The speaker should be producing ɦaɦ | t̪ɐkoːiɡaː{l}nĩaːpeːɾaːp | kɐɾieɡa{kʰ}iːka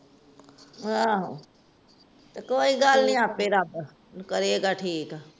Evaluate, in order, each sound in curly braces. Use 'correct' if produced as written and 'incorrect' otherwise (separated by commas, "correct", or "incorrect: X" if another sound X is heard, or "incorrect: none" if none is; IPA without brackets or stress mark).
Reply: correct, incorrect: ʈʰ